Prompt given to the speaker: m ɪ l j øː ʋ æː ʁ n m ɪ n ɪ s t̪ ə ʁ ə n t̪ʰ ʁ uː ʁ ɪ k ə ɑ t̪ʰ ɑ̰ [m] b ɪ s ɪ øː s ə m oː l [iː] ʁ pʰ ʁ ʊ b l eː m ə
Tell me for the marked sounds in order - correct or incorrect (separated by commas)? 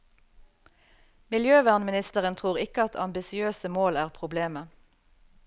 correct, incorrect